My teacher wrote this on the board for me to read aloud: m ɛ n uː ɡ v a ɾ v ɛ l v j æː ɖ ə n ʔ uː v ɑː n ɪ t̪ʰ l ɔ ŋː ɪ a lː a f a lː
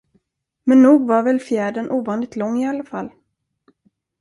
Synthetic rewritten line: m ɛ nː uː ɡ v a ɾ v ɛ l f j æː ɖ ə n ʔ uː v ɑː n ɪ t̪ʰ l ɔ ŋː ɪ a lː a f a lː